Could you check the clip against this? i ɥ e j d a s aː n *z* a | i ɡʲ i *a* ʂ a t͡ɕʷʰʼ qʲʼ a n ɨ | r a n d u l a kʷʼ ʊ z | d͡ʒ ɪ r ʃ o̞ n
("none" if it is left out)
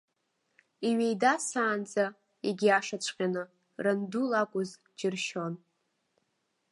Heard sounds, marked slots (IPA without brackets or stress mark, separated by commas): d͡z, a